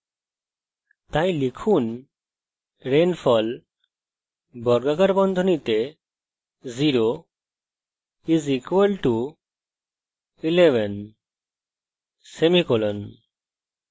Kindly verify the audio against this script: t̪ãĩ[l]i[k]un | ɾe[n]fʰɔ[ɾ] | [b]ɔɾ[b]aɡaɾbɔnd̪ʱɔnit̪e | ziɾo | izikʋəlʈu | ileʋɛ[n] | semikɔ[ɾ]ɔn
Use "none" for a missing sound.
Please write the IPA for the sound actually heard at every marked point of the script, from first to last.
l, kʰ, n, l, b, ɡ, n, l

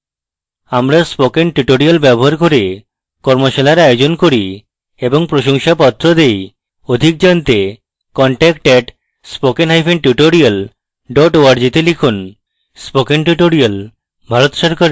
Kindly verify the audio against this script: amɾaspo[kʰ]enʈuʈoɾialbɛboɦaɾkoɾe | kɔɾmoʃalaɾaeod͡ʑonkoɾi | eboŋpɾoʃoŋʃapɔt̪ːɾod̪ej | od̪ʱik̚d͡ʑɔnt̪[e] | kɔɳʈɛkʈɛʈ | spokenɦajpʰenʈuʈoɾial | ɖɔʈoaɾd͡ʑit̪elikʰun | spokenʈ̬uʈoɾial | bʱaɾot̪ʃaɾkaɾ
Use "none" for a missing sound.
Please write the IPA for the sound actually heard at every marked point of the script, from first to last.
k, e

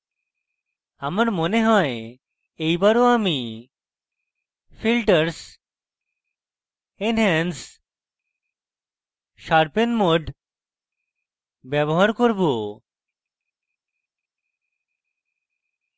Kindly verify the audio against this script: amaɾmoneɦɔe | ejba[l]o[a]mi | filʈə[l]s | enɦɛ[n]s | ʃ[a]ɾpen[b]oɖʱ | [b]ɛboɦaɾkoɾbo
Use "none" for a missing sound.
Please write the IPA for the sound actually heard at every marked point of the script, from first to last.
ɾ, a, ɾ, n, a, m, b

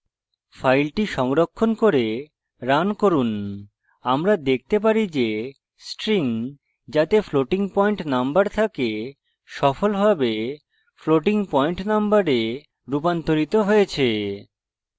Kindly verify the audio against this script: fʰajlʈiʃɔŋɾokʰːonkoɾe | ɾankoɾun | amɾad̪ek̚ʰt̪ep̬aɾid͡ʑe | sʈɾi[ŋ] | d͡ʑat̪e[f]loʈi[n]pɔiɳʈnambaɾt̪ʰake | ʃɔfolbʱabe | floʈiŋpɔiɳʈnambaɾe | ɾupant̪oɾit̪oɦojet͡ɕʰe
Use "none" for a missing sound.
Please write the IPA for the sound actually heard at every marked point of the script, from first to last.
ŋ, f, ŋ

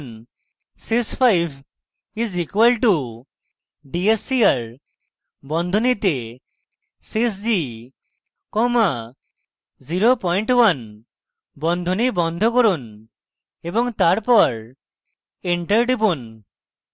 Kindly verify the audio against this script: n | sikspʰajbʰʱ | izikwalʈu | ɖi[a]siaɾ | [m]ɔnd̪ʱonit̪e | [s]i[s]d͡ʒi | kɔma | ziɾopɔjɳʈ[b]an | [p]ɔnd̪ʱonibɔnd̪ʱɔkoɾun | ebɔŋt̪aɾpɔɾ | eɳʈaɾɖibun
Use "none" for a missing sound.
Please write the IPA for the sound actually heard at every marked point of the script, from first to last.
e, b, s, s, w, b

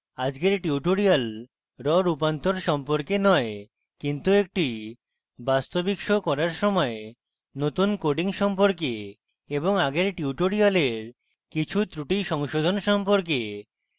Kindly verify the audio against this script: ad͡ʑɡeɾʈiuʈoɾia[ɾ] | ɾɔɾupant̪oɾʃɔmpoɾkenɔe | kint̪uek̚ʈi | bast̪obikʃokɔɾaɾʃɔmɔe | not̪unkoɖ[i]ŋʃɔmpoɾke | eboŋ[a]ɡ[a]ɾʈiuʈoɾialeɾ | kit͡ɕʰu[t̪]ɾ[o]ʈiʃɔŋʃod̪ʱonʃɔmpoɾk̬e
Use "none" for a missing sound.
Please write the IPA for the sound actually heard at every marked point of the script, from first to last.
l, i, a, e, t̪, u

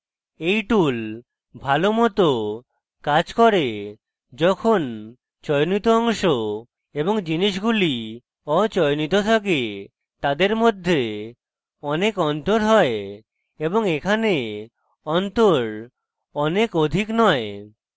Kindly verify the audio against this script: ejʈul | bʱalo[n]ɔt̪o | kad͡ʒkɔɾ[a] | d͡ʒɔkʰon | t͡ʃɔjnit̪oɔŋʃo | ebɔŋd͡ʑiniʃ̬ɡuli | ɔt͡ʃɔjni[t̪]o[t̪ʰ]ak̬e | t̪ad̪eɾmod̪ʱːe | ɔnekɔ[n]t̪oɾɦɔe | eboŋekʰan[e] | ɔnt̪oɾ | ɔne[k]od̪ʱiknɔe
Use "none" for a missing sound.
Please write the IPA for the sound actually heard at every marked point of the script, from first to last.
m, e, t̪, t̪ʰ, n, e, k

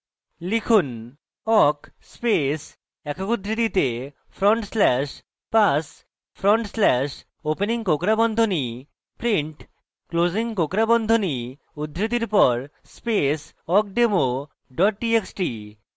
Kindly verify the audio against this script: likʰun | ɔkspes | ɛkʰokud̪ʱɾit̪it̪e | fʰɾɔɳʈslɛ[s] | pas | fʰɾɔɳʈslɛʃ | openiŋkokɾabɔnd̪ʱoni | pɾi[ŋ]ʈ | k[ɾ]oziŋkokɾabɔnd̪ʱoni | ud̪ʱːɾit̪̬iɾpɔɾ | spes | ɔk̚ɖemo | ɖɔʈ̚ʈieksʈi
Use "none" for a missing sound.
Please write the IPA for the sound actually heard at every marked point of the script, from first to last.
ʃ, ɳ, l

